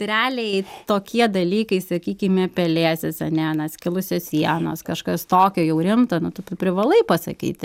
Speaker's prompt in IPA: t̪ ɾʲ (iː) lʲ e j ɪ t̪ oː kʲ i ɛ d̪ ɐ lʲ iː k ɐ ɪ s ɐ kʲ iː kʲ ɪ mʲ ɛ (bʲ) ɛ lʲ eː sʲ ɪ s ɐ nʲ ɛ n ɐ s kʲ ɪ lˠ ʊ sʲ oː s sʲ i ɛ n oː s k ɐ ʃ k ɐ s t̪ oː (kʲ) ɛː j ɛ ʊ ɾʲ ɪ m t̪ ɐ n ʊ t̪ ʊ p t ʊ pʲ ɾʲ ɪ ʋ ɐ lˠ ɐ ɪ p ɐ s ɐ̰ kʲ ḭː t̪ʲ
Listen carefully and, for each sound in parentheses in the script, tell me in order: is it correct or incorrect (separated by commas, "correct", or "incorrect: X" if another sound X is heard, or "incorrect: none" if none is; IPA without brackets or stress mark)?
incorrect: æː, incorrect: pʲ, correct